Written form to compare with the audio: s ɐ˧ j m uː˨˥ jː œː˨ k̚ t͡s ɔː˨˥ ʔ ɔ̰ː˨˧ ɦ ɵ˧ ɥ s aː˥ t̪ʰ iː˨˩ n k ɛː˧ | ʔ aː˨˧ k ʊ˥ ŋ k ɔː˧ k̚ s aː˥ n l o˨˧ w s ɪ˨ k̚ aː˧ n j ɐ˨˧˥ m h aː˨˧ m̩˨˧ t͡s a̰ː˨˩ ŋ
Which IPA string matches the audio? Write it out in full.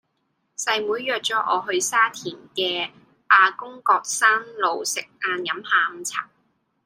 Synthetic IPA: s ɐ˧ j m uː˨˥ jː œː˨ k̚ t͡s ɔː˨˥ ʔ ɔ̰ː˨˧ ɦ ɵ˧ ɥ s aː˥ t̪ʰ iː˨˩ n k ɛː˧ | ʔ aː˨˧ k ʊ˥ ŋ k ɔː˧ k̚ s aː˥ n l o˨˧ w s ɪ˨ k̚ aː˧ n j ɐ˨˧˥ m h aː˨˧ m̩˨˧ t͡sʰ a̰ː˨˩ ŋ

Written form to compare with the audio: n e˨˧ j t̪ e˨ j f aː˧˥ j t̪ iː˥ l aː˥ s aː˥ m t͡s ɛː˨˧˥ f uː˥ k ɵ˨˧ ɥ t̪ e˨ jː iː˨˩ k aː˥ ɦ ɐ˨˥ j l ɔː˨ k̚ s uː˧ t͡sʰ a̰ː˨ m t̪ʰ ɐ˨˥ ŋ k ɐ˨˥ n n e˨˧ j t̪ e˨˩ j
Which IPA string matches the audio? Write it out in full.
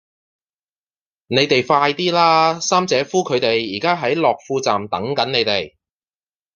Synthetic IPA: n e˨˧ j t̪ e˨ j f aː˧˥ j t̪ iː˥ l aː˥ s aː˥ m t͡s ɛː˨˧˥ f uː˥ kʰ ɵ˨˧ ɥ t̪ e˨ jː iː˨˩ k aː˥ ɦ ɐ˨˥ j l ɔː˨ k̚ f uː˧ t͡s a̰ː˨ m t̪ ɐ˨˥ ŋ k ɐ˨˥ n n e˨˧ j t̪ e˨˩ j

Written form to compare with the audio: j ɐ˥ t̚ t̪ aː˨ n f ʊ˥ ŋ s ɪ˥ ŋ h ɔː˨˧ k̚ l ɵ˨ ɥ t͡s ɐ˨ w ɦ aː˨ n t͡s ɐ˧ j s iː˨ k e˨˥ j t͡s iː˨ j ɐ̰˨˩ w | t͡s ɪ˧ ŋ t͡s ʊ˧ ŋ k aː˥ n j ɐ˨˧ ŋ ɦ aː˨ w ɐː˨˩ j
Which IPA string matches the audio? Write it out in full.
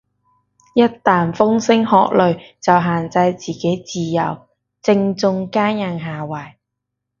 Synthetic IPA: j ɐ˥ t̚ t̪ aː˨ n f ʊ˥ ŋ s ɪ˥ ŋ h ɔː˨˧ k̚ l ɵ˨ ɥ t͡s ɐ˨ w ɦ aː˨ n t͡s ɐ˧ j t͡s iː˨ k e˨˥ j t͡s iː˨ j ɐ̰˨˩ w | t͡s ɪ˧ ŋ t͡s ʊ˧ ŋ k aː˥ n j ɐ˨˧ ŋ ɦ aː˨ w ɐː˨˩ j

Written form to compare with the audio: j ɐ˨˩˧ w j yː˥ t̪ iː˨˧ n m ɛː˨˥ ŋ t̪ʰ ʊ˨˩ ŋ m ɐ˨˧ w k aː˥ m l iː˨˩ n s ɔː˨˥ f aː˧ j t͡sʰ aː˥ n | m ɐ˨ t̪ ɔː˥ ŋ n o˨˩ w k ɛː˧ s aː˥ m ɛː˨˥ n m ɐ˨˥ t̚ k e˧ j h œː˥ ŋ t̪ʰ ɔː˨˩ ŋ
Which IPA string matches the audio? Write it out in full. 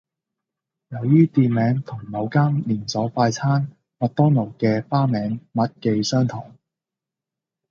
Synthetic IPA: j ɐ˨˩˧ w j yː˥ t̪ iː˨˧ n m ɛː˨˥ ŋ t̪ʰ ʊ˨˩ ŋ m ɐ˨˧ w k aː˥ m l iː˨˩ n s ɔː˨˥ f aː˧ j t͡sʰ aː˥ n | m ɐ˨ t̪ ɔː˥ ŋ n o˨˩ w k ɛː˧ f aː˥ m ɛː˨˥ ŋ m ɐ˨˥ t̚ k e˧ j s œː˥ ŋ t̪ʰ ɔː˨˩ ŋ

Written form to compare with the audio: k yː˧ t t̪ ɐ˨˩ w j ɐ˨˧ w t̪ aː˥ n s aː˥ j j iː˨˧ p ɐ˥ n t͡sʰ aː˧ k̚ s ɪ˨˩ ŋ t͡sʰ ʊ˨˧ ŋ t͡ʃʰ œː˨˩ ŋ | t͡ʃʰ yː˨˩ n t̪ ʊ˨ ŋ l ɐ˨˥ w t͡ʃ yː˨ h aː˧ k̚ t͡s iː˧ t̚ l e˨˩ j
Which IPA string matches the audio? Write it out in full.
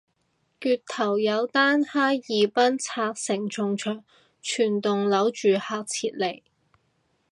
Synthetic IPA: k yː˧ t t̪ʰ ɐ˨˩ w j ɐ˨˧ w t̪ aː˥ n h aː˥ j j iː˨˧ p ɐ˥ n t͡sʰ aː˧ k̚ s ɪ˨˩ ŋ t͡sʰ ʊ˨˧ ŋ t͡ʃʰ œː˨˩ ŋ | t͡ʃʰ yː˨˩ n t̪ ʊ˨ ŋ l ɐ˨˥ w t͡ʃ yː˨ h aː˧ k̚ t͡sʰ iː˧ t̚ l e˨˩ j

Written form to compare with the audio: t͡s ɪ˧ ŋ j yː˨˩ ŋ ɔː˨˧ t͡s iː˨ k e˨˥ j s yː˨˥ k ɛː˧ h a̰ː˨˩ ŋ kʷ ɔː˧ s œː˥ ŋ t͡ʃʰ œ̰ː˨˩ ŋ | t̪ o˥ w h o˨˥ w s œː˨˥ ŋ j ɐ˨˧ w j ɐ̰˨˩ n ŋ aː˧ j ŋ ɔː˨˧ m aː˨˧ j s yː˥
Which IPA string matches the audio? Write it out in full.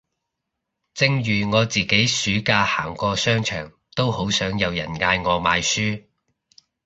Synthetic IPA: t͡s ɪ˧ ŋ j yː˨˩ ŋ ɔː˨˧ t͡s iː˨ k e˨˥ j s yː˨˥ k aː˧ h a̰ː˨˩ ŋ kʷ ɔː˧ s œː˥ ŋ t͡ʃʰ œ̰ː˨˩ ŋ | t̪ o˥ w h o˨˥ w s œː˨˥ ŋ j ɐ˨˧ w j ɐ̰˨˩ n ŋ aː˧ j ŋ ɔː˨˧ m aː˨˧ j s yː˥

